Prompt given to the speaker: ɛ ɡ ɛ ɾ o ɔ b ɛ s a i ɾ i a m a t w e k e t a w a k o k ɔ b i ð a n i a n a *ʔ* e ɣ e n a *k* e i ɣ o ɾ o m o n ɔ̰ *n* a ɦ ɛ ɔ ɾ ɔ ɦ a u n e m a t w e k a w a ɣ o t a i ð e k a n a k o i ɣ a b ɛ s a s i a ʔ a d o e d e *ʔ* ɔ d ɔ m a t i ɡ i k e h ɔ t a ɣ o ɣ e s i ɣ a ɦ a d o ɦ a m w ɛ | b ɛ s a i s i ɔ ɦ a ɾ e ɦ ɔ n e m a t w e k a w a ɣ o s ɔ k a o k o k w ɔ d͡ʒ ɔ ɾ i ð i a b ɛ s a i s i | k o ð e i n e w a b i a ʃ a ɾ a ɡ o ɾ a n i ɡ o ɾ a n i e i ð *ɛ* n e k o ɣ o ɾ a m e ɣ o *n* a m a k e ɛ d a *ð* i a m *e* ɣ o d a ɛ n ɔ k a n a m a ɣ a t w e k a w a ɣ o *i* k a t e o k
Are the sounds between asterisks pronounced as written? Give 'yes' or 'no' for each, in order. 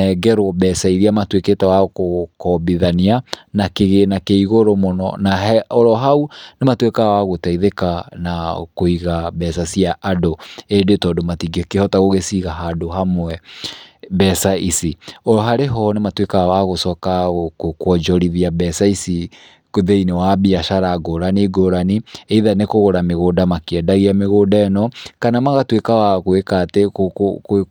no, yes, yes, no, no, no, no, yes, no

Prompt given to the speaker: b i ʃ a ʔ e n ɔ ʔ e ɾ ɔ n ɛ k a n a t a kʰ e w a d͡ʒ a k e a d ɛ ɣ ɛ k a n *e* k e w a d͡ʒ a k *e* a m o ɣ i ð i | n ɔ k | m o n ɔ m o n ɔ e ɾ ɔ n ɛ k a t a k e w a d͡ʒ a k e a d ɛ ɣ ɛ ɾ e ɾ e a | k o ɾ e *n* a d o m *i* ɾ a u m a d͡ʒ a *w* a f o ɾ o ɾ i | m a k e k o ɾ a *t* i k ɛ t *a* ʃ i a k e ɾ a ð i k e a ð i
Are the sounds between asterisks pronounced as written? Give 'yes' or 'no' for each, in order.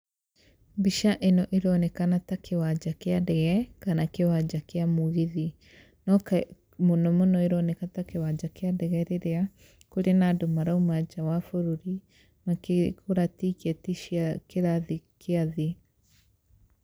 no, yes, yes, no, yes, yes, no

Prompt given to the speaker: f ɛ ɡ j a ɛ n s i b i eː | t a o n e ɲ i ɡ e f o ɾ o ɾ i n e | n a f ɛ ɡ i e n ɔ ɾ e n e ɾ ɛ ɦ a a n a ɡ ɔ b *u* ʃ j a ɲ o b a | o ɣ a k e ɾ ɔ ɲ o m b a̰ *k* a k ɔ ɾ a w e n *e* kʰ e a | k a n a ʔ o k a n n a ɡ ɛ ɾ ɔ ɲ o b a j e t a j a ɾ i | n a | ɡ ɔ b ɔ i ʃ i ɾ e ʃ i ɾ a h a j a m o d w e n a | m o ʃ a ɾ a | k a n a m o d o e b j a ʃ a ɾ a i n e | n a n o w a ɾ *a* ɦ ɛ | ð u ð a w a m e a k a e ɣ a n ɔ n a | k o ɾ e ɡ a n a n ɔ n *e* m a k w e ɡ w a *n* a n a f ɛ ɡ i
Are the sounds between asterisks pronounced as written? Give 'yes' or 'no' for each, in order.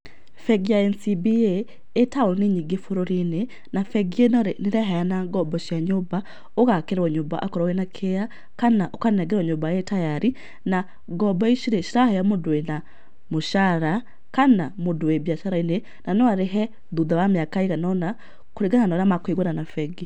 no, no, no, no, no, yes

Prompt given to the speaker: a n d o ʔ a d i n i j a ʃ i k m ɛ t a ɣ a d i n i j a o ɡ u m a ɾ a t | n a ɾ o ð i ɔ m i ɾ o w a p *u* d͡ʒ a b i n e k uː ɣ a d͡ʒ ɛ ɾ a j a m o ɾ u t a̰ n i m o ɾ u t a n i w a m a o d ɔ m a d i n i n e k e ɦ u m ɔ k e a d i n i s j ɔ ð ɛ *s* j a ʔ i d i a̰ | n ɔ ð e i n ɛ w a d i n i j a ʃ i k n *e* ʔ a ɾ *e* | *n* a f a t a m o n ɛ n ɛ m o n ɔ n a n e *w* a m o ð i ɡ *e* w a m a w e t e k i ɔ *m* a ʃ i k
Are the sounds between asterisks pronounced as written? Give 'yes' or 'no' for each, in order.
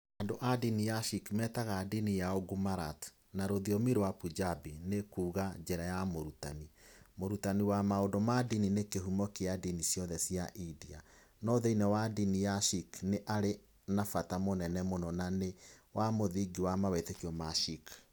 yes, yes, yes, yes, yes, yes, no, yes

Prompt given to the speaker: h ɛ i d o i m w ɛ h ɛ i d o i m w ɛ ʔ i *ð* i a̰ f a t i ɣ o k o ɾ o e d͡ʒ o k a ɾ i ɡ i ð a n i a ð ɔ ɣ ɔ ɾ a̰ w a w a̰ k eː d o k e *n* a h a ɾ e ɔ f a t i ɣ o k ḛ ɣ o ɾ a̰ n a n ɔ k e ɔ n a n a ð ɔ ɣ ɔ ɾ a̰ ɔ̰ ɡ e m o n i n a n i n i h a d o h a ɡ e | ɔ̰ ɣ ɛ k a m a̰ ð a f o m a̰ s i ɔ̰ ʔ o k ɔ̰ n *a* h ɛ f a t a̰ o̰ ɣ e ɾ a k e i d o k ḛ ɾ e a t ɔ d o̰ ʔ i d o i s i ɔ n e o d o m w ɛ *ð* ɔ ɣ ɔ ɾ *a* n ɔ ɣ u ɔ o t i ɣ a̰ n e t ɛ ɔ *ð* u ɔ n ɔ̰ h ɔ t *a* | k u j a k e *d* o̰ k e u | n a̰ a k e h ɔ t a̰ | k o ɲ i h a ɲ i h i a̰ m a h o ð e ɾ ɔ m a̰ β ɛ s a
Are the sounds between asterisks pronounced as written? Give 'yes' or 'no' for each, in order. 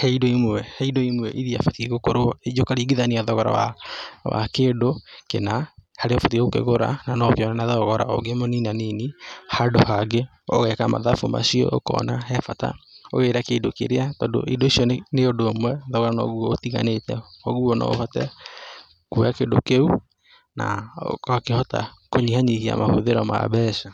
yes, yes, yes, yes, yes, no, no, yes

